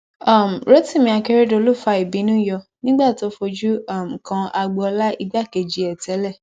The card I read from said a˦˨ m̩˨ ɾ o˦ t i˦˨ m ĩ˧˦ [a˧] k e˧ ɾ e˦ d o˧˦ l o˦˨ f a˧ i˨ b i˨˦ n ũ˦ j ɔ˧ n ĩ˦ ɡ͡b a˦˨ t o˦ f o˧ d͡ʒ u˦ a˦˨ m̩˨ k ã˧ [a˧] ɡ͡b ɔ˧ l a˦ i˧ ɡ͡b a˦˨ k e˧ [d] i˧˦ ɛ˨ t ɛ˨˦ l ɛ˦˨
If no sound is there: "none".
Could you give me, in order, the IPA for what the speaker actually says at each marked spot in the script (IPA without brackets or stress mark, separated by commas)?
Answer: a˧, a˧, d͡ʒ